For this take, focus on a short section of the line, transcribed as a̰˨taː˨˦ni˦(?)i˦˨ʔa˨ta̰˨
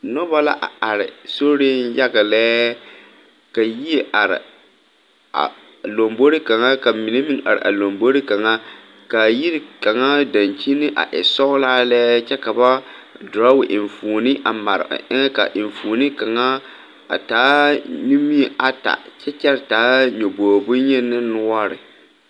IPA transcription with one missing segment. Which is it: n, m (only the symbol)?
m